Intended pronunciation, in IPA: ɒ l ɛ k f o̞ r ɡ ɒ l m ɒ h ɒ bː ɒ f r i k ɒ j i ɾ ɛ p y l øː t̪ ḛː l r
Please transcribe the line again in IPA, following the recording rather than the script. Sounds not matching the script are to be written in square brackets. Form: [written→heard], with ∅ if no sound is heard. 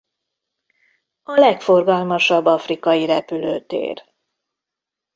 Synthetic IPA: ɒ l ɛ k f o̞ r ɡ ɒ l m ɒ [h→ʃ] ɒ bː ɒ f r i k ɒ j i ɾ ɛ p y l øː t̪ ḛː [l→∅] r